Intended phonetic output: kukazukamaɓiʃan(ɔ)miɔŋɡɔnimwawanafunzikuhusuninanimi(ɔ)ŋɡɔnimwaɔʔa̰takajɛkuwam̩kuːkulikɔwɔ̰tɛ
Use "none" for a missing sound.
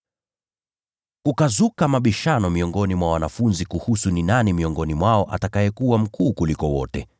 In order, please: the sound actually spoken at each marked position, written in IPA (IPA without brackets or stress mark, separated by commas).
ɔ, ɔ